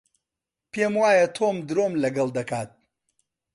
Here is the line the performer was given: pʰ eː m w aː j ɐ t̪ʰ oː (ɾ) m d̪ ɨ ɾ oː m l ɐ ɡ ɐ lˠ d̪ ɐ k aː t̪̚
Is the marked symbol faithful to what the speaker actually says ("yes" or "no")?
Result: no